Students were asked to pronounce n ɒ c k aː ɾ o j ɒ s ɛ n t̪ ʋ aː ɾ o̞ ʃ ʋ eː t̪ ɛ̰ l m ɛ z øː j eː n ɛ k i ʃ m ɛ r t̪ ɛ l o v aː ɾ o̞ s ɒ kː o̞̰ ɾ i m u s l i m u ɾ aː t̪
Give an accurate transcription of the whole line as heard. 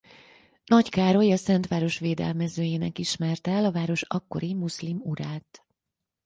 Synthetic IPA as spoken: n ɒ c k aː ɾ o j ɒ s ɛ n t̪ ʋ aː ɾ o̞ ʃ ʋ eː d̪ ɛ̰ l m ɛ z øː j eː n ɛ k i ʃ m ɛ r t̪ ɛ l ɒ v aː ɾ o̞ ʃ ɒ kː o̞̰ ɾ i m u s l i m u ɾ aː t̪